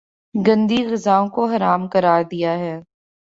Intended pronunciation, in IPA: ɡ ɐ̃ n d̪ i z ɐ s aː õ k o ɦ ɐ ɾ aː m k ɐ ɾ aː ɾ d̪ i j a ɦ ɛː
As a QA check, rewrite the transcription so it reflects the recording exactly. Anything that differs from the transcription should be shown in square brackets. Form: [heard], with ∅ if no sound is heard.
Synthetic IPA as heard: ɡ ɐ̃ n d̪ i [ɣ] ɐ [z] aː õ k o ɦ ɐ ɾ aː m k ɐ ɾ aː ɾ d̪ i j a ɦ ɛː